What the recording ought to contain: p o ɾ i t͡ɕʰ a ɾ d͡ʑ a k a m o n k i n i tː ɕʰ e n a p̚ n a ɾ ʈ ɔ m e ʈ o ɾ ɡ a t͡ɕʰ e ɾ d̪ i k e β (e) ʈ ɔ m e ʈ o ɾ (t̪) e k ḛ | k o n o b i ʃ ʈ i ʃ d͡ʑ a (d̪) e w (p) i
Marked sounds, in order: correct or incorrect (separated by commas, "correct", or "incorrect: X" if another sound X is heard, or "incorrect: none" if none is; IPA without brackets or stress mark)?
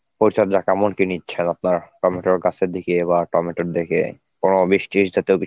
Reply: incorrect: a, incorrect: d̪, incorrect: t̪, incorrect: k